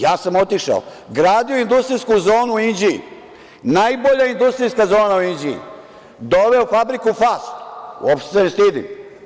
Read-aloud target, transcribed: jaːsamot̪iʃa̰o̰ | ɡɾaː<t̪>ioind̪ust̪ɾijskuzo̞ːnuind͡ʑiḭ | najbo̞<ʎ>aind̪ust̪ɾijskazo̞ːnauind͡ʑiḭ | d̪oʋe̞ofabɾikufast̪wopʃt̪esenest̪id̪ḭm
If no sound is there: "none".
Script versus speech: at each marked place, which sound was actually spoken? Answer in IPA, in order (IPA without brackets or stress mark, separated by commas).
d̪, ʎ